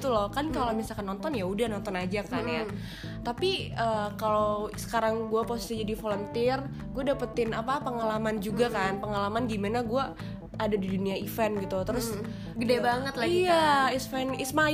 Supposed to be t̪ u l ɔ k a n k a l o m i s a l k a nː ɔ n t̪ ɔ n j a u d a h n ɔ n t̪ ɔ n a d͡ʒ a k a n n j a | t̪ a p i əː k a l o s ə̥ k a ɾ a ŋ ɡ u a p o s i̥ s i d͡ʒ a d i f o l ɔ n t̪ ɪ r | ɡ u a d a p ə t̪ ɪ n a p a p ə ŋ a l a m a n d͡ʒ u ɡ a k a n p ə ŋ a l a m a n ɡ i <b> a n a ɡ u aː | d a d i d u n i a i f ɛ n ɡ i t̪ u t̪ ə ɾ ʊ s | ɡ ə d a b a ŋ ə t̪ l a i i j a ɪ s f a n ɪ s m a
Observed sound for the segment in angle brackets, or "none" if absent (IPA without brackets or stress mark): m